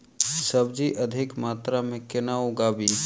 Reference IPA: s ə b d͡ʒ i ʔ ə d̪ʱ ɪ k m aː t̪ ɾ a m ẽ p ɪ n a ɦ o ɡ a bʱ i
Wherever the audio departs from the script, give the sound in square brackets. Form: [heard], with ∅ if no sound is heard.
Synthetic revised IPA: s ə b d͡ʒ i ʔ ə d̪ʱ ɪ k m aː t̪ ɾ a m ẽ [k] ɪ n a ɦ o ɡ a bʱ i